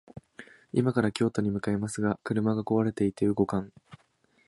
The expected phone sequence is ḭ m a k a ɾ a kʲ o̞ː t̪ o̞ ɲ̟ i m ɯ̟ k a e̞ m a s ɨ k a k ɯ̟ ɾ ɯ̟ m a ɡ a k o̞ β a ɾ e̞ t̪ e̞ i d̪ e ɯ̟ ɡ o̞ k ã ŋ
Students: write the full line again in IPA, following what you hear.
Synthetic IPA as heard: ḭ m a k a ɾ a kʲ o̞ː t̪ o̞ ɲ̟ i m ɯ̟ k a e̞ m a s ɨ ɡ a k ɯ̟ ɾ ɯ̟ m a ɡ a k o̞ β a ɾ e̞ t̪ e̞ i t̪ e ɯ̟ ɡ o̞ k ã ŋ